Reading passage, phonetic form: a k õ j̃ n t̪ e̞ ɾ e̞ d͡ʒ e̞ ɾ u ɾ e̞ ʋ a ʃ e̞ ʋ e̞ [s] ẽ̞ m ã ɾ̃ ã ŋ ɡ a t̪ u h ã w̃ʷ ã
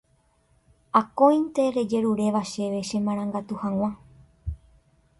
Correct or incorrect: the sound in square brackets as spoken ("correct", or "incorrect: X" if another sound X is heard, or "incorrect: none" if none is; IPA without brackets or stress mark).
incorrect: ʃ